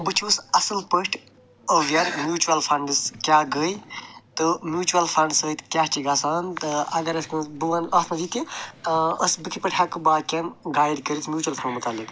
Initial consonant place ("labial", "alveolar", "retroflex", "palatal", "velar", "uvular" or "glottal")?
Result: labial